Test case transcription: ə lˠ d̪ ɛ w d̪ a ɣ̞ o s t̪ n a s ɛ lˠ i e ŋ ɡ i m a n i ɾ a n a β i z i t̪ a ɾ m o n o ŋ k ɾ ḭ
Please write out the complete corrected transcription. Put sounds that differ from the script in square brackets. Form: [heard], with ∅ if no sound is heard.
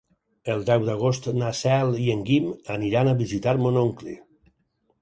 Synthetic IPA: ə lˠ d̪ ɛ w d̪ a ɣ̞ o s t̪ n a s ɛ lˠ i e ŋ ɡ i m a n i ɾ a n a β i z i t̪ a ɾ m o n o ŋ k [l] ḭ